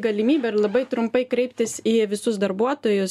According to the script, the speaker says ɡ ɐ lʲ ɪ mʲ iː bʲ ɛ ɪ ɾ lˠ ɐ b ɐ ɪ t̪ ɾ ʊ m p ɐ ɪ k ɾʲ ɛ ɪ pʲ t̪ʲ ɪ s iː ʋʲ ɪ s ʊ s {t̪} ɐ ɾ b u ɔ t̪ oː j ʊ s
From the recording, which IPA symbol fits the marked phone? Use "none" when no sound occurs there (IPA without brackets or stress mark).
d̪